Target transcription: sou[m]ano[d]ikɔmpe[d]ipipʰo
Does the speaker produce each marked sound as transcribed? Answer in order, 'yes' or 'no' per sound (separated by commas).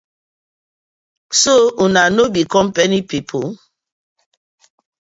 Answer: no, no, no